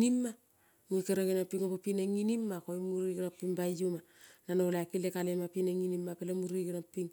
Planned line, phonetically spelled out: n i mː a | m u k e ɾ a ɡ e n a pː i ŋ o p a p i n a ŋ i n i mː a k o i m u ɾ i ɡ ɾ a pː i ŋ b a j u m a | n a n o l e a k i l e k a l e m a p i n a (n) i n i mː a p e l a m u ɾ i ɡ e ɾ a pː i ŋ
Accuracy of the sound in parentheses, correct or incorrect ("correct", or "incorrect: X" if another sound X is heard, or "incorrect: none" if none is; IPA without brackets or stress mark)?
incorrect: ŋ